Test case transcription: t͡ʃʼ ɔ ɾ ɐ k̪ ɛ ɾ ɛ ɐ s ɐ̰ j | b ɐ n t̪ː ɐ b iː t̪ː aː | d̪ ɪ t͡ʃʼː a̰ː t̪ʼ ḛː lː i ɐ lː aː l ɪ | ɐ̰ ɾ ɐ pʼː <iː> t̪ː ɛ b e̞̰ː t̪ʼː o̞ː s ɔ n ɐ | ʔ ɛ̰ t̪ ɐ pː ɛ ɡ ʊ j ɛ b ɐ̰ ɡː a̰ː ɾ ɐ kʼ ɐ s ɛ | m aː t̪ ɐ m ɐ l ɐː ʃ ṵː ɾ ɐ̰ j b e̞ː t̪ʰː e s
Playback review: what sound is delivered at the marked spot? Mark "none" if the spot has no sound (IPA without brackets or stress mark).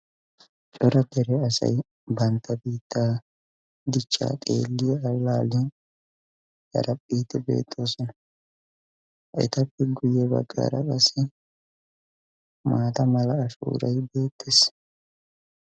iː